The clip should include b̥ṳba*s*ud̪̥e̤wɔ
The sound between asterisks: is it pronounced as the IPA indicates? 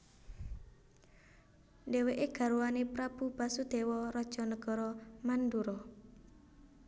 yes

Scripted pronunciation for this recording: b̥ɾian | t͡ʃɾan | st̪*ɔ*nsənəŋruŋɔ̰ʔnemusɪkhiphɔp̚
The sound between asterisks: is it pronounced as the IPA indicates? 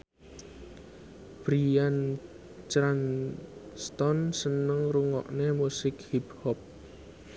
yes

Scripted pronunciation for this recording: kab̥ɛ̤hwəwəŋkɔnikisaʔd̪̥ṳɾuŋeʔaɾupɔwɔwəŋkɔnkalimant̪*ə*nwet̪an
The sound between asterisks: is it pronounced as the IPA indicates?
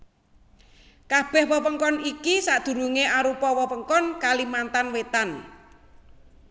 no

